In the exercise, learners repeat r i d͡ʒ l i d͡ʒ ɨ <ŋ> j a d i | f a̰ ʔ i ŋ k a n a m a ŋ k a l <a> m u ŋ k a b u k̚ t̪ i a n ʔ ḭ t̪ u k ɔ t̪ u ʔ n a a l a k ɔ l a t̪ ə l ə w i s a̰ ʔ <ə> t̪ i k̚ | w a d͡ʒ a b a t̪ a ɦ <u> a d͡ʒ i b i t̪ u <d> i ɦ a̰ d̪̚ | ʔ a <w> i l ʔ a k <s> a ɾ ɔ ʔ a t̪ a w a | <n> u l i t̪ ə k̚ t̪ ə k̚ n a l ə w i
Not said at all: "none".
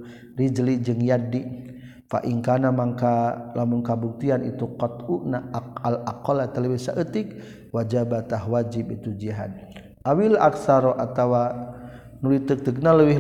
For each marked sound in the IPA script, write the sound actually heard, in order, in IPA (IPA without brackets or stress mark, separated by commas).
ŋ, a, ə, w, d͡ʒ, w, s, n